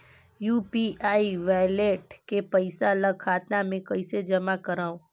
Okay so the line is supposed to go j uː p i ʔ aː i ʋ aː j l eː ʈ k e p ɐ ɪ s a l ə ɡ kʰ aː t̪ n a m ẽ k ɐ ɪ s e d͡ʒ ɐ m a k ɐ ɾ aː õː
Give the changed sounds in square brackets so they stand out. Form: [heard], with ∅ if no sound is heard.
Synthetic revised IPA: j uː p i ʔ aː i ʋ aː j l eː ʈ k e p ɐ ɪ s a l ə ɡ kʰ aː t̪ n a m ẽ k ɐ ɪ s e d͡ʒ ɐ m a k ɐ ɾ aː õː